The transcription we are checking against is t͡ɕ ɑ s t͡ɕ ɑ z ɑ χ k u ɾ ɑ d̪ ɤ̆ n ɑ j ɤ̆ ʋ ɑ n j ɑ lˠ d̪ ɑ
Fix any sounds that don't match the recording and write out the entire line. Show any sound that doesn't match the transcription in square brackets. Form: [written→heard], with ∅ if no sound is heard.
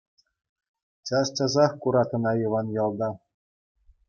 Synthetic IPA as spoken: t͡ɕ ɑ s t͡ɕ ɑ z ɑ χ k u ɾ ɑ [d̪→t̪] ɤ̆ n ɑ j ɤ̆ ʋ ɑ n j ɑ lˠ d̪ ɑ